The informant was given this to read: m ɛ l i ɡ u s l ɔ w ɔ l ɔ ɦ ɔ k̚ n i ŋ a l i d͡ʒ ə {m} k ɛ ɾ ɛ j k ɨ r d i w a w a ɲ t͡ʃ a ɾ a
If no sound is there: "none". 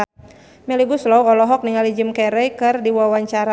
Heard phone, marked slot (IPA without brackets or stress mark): m